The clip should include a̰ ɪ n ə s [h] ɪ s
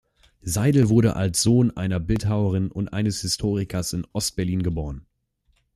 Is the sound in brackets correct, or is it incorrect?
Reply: correct